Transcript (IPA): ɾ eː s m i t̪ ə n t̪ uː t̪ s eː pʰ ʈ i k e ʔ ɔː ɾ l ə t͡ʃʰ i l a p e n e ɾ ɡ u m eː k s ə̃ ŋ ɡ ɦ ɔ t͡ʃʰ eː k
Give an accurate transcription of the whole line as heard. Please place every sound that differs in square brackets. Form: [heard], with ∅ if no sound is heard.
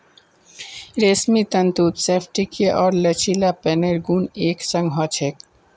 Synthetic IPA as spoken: ɾ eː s m i t̪ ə n t̪ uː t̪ s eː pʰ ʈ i k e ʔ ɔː ɾ l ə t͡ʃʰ i l a p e n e ɾ ɡ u [n] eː k s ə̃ ŋ ɡ ɦ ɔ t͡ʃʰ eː k